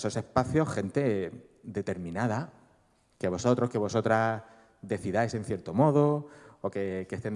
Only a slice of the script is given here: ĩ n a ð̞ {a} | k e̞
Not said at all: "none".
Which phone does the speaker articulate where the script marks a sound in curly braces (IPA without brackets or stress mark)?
a